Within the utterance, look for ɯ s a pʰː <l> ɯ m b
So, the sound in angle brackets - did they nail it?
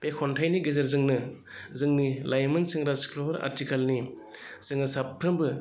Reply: no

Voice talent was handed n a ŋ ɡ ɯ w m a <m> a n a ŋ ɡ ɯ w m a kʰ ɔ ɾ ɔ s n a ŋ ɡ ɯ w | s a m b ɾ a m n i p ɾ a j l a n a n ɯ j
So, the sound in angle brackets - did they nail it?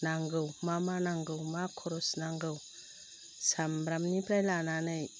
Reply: yes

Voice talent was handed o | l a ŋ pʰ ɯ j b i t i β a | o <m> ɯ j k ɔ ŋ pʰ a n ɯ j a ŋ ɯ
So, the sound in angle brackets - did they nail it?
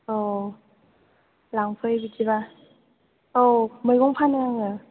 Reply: yes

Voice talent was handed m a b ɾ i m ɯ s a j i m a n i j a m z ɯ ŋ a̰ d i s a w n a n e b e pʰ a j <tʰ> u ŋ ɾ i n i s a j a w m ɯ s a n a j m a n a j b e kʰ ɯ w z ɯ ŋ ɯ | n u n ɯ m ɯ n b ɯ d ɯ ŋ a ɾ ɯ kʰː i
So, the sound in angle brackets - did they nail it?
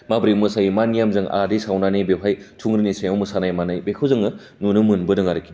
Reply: yes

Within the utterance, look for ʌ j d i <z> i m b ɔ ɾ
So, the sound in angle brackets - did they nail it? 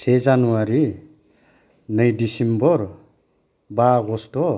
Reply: no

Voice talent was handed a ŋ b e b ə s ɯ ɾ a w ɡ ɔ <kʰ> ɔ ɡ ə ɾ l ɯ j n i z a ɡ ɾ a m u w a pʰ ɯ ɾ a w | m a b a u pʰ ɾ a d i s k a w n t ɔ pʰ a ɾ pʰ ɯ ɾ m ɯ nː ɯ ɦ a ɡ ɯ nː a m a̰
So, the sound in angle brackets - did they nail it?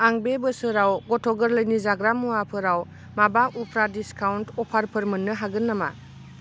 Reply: no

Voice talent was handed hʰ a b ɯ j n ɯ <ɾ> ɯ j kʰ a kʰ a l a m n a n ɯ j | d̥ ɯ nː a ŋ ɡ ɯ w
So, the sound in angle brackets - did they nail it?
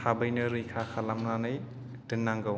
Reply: yes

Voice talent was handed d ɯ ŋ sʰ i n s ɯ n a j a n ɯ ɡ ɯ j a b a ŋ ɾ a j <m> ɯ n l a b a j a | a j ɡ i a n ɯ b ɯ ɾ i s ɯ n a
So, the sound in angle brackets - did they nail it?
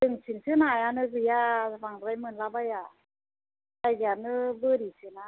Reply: yes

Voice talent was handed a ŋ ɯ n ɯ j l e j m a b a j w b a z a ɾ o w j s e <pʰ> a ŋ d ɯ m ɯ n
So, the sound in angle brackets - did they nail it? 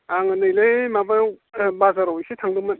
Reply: no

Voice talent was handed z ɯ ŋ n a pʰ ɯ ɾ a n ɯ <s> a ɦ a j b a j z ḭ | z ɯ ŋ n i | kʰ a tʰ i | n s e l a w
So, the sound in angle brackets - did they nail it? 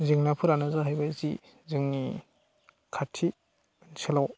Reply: no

